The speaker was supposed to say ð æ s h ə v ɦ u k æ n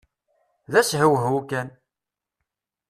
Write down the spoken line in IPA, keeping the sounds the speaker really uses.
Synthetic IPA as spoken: ð æ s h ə w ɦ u k æ n